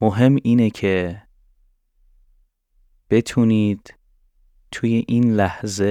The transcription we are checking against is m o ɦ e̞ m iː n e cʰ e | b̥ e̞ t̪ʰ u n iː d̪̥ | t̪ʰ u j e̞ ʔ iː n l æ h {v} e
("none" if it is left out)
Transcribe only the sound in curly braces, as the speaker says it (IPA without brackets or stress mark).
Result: z